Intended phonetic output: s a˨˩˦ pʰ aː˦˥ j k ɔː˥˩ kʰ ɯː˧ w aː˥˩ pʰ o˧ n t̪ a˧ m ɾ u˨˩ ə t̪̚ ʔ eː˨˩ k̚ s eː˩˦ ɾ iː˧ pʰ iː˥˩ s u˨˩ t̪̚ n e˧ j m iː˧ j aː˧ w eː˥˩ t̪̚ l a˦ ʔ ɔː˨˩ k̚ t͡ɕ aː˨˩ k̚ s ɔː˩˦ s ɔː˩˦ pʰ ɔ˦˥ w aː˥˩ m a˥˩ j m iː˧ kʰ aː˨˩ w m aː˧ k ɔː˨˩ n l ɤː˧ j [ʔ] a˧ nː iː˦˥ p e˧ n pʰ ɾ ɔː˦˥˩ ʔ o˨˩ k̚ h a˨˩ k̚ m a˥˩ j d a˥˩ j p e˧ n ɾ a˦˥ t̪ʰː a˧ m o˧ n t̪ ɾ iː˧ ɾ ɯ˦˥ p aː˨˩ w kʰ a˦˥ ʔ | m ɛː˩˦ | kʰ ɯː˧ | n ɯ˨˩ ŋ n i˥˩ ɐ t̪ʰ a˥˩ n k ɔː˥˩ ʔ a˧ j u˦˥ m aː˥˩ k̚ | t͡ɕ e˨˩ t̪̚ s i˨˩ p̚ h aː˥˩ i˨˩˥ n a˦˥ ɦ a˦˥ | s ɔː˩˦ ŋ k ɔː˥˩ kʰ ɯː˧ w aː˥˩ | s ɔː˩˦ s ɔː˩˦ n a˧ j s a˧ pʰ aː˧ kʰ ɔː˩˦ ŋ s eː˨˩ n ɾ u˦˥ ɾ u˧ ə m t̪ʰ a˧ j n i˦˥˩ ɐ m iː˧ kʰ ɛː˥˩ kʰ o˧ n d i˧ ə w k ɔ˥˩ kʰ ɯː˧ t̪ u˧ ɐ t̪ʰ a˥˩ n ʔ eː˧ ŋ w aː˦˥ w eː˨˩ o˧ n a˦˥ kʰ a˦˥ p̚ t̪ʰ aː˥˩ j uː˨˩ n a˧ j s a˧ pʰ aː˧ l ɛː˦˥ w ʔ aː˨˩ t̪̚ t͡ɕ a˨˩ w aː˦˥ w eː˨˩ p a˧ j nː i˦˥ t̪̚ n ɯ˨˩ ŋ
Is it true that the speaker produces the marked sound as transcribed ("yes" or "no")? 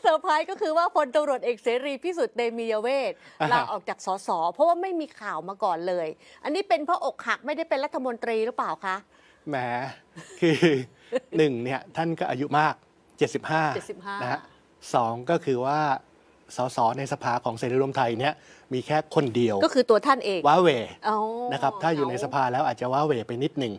yes